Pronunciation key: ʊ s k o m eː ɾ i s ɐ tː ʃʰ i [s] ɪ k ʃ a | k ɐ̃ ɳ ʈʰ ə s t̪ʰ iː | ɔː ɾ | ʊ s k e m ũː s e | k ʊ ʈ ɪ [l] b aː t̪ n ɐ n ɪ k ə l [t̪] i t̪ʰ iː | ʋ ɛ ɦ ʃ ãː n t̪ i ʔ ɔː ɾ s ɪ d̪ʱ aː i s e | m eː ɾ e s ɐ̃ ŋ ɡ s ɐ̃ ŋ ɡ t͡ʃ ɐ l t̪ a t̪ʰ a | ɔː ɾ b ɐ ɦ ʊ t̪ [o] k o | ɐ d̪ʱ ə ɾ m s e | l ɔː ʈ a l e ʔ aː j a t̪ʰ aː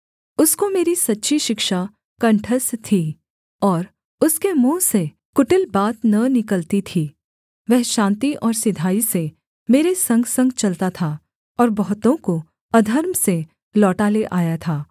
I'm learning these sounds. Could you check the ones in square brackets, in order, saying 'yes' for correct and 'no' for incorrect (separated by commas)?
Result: no, yes, yes, no